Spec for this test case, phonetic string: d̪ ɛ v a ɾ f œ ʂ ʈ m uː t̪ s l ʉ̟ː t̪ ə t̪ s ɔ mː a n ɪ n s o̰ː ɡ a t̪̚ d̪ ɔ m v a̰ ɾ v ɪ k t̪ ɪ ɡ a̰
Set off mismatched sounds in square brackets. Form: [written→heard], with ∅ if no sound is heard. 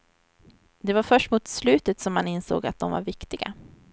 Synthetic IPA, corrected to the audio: d̪ ɛ v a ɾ f œ ʂ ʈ m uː t̪ s l ʉ̟ː t̪ ə t̪ s ɔ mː a n ɪ n s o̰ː ɡ a t̪̚ d̪ ɔ m v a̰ ɾ v ɪ k t̪ ɪ ɡ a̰